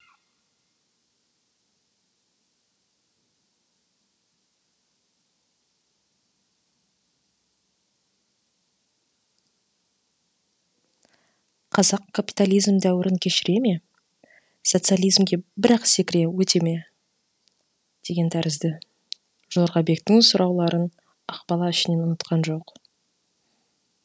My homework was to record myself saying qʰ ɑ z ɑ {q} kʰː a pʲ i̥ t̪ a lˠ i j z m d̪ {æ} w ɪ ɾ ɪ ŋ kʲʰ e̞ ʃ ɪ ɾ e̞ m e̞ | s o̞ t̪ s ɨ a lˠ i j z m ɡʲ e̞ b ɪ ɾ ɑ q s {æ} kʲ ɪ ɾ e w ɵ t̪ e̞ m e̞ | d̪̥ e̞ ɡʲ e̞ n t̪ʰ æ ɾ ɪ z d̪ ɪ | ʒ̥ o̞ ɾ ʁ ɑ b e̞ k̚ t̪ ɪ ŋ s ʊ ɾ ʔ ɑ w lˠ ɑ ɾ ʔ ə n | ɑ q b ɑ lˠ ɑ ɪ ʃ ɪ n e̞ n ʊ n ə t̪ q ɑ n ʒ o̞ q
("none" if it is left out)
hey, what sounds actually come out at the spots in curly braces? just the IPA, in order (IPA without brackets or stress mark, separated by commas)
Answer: q, æ, e